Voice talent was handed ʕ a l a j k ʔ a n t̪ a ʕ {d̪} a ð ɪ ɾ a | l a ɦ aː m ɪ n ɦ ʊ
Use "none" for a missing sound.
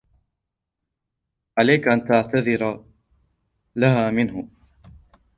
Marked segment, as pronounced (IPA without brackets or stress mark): t̪